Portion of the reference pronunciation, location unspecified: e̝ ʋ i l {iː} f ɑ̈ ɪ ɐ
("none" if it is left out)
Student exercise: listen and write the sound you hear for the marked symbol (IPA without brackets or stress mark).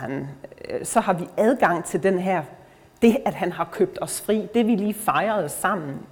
iː